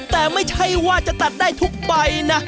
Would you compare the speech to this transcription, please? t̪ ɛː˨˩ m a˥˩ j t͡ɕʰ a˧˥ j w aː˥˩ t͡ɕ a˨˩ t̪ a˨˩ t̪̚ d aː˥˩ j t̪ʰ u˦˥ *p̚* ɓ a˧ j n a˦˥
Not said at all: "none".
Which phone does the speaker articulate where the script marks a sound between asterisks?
k̚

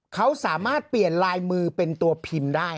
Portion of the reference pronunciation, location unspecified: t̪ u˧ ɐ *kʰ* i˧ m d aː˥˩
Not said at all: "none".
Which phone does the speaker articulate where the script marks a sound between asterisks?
pʰ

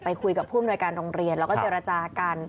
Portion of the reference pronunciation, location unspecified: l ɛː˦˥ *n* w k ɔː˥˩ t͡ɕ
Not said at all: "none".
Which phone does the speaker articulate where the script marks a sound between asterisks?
none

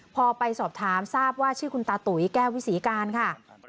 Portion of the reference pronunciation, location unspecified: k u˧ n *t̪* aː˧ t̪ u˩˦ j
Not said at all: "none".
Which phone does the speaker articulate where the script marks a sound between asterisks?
t̪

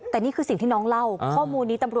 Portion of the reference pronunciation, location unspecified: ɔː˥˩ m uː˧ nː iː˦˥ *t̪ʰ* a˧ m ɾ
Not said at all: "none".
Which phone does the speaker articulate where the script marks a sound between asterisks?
t̪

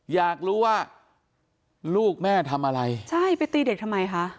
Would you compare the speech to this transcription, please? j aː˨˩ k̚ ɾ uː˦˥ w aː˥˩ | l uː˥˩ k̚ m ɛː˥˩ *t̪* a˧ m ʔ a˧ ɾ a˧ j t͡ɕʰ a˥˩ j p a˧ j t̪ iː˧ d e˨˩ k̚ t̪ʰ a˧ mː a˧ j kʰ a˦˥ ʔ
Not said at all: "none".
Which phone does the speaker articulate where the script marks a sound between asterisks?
t̪ʰ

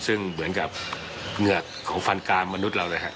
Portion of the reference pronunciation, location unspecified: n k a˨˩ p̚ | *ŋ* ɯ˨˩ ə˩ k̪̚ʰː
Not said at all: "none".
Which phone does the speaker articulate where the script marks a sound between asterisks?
ŋ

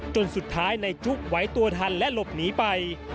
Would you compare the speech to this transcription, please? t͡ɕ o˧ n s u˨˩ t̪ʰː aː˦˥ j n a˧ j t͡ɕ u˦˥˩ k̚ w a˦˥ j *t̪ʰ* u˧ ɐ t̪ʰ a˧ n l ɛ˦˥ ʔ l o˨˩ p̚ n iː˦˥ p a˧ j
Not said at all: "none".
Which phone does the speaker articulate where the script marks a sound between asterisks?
t̪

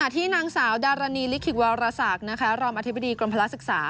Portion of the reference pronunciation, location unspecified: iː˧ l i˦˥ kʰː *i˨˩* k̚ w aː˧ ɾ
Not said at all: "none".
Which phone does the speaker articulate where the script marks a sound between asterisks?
i˨˩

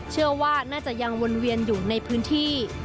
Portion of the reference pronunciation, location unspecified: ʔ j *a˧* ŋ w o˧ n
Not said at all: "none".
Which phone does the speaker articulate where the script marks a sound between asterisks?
a˧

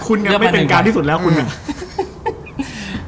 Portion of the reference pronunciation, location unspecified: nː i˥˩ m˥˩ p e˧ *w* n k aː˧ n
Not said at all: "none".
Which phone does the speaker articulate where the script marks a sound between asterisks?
none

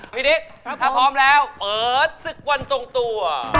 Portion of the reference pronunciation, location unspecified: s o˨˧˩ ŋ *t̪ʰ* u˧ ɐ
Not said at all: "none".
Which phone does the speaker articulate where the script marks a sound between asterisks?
t̪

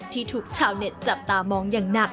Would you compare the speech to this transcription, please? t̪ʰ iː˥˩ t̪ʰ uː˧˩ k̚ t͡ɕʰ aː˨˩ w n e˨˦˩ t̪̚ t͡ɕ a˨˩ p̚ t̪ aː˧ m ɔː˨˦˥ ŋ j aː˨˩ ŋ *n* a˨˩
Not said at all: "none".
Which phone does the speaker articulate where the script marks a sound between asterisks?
n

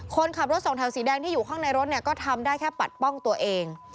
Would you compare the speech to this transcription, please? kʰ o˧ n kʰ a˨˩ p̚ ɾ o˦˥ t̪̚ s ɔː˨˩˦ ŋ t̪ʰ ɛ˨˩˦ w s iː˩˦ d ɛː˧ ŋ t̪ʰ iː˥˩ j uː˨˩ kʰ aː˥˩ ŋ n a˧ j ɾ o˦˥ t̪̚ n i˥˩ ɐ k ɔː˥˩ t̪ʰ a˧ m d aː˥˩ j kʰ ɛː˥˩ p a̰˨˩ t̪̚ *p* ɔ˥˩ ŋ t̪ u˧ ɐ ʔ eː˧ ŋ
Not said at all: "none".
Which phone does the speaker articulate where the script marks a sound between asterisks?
p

